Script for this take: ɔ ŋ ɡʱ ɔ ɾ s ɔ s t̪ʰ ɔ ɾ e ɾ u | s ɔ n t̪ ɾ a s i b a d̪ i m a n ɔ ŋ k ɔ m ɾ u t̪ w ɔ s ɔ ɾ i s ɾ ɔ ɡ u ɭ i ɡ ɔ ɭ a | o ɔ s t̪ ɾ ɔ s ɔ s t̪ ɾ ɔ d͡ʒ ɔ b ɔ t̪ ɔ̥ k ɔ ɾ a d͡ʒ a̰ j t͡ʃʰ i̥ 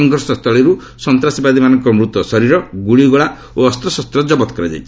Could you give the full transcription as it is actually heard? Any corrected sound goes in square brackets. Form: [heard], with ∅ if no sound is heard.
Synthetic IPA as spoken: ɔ ŋ ɡʱ ɔ ɾ s ɔ s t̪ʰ ɔ [ɭ] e ɾ u | s ɔ n t̪ ɾ a s i b a d̪ i m a n ɔ ŋ k ɔ m ɾ u t̪ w ɔ s ɔ ɾ i [∅] ɾ ɔ ɡ u ɭ i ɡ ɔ ɭ a | o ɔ s t̪ ɾ ɔ s ɔ s t̪ ɾ ɔ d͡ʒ ɔ b ɔ t̪ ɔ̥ k ɔ ɾ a d͡ʒ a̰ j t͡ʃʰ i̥